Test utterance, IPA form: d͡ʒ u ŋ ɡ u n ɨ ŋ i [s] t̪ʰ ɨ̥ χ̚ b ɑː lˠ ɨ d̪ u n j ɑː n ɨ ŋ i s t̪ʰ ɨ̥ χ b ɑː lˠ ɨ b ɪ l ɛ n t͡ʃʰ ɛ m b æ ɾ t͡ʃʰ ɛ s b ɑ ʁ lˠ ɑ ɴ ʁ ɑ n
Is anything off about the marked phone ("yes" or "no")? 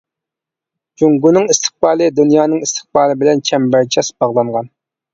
no